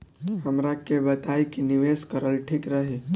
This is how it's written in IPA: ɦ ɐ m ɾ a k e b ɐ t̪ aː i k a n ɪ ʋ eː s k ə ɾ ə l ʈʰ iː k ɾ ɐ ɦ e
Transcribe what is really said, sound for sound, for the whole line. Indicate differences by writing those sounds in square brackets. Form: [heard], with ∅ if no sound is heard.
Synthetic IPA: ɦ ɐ m ɾ a k e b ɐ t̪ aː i k [i] n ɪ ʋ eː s k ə ɾ ə l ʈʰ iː k ɾ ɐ ɦ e